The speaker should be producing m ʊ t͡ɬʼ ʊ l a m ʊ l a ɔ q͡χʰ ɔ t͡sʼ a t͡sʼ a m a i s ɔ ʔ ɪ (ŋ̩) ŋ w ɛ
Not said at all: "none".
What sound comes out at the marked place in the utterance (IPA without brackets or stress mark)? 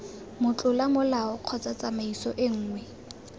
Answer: ŋ̩ː